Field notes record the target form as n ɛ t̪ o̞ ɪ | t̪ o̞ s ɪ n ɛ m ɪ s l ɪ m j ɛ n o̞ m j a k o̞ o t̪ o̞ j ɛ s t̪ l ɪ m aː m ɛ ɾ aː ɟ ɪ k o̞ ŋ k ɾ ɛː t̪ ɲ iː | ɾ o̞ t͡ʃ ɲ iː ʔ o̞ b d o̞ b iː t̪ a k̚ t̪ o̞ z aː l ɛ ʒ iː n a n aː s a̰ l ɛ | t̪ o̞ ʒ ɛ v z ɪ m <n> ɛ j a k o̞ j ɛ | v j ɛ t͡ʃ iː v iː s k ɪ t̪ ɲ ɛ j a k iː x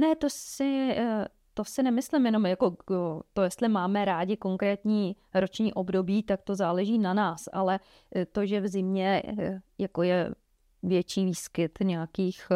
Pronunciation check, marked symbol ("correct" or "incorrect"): incorrect